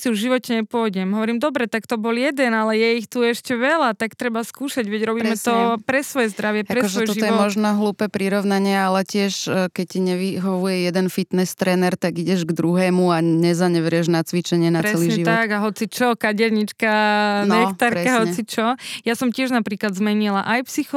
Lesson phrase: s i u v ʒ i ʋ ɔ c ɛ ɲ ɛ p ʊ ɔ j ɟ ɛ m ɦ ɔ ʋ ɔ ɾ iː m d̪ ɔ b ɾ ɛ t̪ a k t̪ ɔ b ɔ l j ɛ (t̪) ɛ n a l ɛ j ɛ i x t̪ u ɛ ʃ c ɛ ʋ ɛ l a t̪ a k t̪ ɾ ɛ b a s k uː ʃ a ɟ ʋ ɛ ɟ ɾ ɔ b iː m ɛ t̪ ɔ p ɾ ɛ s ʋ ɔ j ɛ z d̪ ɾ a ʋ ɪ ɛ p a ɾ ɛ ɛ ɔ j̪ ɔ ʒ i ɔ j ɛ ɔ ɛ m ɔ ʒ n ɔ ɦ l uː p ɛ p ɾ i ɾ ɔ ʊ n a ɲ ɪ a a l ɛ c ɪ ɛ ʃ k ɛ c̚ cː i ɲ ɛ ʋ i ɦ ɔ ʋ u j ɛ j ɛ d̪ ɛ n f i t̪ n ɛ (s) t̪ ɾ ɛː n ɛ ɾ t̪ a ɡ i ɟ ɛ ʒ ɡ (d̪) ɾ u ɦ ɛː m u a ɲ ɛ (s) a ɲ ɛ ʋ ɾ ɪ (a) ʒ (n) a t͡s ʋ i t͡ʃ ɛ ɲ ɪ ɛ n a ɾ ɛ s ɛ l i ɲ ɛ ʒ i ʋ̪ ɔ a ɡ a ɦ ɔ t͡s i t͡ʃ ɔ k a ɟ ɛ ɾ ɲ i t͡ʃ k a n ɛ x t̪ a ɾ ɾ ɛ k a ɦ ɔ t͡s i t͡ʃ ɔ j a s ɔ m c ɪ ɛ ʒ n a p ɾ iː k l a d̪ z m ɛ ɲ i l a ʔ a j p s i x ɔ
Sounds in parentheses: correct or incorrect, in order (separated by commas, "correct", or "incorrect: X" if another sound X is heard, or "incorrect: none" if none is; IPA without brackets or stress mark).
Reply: incorrect: d̪, correct, correct, incorrect: z, incorrect: ɛ, correct